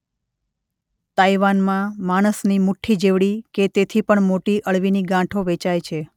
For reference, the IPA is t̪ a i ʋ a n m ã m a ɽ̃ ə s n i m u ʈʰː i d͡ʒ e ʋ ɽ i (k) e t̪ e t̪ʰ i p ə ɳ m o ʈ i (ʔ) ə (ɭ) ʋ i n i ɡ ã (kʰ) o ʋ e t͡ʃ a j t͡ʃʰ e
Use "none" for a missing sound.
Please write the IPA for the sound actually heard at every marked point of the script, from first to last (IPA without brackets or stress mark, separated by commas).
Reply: k, ʔ, ɭ, ʈʰ